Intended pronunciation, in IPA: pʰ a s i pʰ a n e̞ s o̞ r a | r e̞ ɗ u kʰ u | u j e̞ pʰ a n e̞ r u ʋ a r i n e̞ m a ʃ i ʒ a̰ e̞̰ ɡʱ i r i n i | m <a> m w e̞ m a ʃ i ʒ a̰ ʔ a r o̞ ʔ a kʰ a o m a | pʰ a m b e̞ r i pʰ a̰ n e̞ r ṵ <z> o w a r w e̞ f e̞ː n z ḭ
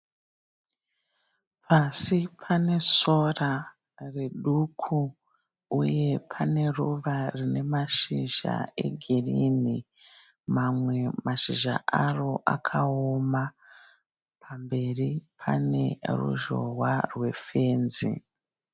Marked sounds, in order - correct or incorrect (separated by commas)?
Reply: correct, incorrect